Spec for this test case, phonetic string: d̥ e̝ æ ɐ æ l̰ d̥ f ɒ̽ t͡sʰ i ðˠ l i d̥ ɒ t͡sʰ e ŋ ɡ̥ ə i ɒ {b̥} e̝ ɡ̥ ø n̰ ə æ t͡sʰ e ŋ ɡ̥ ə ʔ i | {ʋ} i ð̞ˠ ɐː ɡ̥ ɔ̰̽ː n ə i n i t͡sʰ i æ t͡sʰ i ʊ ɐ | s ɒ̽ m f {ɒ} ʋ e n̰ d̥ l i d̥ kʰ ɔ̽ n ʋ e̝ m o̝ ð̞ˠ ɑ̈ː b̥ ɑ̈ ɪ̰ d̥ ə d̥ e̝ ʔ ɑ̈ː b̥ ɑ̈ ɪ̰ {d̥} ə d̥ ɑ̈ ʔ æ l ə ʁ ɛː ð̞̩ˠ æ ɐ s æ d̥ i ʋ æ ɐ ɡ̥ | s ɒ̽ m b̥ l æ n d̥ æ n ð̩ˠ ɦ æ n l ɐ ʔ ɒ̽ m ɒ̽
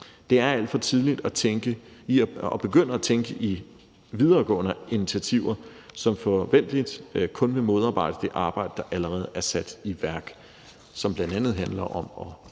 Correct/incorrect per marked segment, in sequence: correct, correct, correct, correct

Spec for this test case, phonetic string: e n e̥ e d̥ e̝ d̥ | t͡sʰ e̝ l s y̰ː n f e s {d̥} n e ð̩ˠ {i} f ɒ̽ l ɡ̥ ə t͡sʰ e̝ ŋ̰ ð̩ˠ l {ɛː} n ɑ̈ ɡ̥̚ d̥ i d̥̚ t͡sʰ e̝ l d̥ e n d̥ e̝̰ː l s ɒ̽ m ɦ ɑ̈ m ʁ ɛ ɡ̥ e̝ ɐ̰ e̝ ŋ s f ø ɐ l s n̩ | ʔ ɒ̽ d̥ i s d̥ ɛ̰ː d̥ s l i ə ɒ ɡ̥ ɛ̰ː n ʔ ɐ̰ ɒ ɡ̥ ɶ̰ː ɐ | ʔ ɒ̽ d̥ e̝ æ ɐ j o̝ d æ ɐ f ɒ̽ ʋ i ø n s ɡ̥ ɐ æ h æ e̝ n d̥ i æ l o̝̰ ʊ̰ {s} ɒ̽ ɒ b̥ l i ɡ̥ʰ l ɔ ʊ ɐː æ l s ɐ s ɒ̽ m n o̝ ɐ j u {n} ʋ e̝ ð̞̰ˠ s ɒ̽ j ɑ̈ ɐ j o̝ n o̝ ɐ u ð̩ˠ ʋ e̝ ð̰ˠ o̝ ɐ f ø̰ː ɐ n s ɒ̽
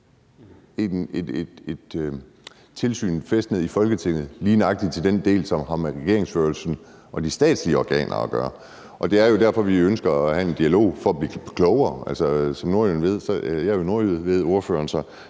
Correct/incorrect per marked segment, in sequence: correct, correct, incorrect, incorrect, correct

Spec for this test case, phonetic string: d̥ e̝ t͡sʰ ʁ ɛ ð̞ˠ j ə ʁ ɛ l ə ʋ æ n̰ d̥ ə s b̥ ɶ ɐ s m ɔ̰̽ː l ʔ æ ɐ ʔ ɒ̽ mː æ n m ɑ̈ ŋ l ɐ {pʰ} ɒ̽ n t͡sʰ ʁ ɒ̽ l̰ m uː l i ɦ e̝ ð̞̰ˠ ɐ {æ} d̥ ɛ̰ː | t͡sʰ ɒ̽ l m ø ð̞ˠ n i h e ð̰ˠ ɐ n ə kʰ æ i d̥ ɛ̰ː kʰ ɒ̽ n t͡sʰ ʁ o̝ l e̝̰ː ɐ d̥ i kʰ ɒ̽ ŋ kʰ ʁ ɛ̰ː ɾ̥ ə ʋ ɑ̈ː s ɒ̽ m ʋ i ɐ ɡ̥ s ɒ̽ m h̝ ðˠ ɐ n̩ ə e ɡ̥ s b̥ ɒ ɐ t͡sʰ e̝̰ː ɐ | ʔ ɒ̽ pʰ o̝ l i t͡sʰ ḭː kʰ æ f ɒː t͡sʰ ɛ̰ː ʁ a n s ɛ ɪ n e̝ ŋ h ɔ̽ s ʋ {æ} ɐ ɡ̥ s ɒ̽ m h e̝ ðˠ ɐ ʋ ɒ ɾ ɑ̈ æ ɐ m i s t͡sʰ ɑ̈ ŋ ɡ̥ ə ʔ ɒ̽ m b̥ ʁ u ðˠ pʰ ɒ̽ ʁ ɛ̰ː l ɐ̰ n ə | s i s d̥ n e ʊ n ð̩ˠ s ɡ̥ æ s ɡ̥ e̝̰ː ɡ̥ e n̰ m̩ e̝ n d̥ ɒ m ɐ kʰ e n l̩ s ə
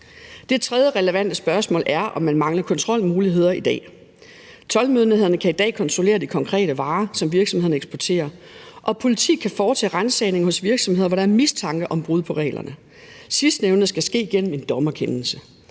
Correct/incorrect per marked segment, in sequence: incorrect, incorrect, incorrect

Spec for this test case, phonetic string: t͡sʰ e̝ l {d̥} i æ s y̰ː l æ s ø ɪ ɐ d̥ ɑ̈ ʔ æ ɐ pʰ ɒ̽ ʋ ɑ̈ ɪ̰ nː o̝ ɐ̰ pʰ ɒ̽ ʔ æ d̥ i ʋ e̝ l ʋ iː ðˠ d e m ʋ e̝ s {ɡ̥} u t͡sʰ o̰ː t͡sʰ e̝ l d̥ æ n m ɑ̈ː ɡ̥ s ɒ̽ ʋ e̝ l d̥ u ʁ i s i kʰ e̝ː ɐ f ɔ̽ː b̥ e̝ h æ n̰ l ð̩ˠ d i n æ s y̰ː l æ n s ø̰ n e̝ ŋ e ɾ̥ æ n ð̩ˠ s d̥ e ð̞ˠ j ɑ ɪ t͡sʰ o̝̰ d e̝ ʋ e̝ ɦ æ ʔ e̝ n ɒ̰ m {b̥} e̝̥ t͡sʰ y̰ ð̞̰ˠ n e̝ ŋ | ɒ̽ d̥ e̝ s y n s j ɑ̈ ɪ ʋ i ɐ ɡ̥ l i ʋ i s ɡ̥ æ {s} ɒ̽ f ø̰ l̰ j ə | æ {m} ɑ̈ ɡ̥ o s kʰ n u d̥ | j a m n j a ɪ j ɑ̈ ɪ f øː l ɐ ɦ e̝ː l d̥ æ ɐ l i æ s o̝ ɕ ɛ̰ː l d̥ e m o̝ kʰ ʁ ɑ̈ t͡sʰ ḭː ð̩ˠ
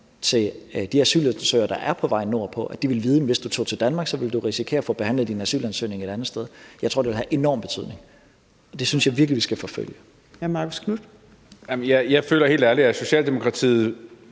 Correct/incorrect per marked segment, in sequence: correct, incorrect, correct, incorrect, correct

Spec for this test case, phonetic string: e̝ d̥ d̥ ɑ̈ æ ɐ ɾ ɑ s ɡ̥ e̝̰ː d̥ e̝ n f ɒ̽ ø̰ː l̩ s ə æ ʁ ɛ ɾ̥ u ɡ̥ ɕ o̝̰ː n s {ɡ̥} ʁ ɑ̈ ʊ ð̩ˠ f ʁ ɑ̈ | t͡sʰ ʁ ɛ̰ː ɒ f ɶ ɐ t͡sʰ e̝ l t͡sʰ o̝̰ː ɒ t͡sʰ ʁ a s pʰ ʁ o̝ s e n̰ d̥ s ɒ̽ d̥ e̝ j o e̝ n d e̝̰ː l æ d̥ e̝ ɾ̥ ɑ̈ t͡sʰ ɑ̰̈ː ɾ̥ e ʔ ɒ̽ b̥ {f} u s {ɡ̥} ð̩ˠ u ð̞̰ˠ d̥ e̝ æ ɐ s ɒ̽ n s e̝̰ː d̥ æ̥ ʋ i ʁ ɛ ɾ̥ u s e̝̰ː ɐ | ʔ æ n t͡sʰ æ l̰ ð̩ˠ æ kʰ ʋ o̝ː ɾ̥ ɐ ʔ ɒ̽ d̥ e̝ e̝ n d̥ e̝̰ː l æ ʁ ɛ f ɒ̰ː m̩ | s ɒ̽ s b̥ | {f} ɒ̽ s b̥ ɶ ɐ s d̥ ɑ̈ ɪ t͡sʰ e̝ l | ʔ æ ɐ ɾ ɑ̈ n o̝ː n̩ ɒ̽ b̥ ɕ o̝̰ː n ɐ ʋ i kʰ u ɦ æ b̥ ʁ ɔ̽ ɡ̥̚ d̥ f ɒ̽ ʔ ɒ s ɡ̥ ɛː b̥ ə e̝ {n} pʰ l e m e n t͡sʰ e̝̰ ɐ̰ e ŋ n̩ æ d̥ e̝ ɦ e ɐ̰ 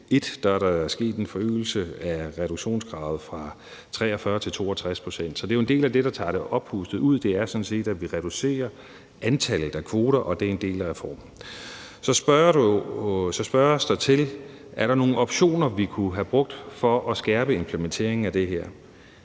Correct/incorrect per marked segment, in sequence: correct, incorrect, incorrect, incorrect, incorrect

